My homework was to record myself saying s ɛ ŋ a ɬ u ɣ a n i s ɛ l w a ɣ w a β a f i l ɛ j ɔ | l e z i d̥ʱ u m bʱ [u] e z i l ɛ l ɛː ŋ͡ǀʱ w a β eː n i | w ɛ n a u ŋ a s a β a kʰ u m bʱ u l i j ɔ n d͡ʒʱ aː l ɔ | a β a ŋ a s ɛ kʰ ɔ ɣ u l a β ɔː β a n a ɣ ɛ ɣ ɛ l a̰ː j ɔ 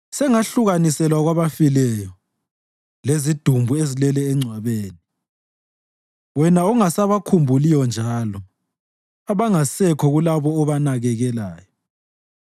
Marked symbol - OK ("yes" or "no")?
yes